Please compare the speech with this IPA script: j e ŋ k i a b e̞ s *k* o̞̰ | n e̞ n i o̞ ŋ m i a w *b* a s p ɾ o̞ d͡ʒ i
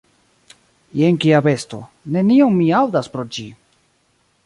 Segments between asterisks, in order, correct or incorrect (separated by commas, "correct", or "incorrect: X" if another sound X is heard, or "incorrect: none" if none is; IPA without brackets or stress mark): incorrect: t, incorrect: d